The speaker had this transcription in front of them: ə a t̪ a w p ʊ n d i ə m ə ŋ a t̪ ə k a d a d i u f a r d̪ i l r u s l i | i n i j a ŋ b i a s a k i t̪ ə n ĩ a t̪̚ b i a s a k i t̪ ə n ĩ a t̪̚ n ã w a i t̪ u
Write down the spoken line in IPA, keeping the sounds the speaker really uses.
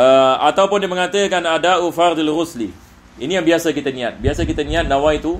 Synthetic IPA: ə a t̪ a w p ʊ n d i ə m ə ŋ a t̪ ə k a n a d a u f a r d̪ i l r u s l i | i n i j a ŋ b i a s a k i t̪ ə n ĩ a t̪̚ b i a s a k i t̪ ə n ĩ a t̪̚ n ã w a i t̪ u